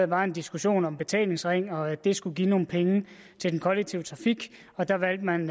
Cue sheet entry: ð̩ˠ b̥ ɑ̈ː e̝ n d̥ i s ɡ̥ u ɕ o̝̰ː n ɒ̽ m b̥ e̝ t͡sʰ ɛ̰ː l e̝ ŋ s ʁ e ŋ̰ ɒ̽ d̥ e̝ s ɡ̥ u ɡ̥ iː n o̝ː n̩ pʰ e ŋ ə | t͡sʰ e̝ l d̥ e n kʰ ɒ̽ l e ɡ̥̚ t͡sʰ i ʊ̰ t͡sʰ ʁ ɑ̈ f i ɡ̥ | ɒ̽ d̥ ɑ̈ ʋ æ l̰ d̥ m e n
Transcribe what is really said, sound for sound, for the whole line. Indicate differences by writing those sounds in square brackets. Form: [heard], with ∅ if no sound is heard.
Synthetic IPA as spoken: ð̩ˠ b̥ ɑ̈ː e̝ n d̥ i s ɡ̥ u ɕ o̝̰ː n ɒ̽ m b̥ e̝ t͡sʰ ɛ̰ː l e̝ ŋ s ʁ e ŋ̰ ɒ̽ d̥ e̝ s ɡ̥ u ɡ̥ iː n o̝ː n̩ pʰ e ŋ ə | t͡sʰ e̝ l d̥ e n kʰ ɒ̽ l e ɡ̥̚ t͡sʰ i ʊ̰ t͡sʰ ʁ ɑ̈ f i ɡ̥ | ɒ̽ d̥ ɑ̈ ʋ æ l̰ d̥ m [æ] n